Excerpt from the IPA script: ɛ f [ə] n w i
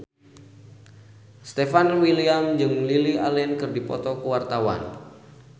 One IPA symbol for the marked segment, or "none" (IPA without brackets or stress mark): a